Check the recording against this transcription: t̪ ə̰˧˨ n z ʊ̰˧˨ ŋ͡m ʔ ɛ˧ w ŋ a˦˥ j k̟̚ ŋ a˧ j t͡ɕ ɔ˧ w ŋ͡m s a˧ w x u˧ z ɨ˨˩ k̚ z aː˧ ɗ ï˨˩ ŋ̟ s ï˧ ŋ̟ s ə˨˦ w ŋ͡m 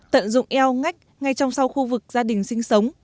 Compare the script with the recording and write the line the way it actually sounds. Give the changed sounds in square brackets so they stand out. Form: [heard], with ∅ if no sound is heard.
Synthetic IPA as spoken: t̪ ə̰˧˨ n z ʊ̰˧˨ ŋ͡m ʔ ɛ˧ w ŋ a˦˥ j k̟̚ ŋ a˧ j t͡ɕ ɔ˧ w ŋ͡m s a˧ w x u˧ [v] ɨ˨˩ k̚ z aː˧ ɗ ï˨˩ ŋ̟ s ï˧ ŋ̟ s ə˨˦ w ŋ͡m